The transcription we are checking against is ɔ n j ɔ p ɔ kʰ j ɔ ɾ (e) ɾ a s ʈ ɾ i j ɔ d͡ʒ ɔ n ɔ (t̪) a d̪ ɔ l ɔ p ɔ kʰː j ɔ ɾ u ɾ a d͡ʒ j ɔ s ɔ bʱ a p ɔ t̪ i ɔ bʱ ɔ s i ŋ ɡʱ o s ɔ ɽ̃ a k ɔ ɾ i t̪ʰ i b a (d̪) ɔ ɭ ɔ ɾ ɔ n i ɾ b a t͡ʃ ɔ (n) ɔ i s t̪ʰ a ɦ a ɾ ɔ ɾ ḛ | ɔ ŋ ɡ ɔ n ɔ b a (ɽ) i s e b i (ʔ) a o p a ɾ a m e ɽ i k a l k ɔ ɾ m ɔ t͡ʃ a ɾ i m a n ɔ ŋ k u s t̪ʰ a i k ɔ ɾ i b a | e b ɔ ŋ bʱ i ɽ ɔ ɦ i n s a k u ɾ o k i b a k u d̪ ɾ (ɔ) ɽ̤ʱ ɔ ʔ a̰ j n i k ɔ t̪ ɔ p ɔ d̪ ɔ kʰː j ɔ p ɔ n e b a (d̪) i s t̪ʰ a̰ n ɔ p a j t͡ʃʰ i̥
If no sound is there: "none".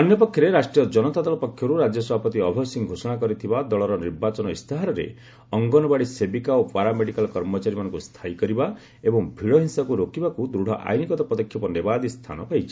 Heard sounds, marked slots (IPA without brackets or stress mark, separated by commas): e, t̪, d̪, n, ɽ, k, u, d̪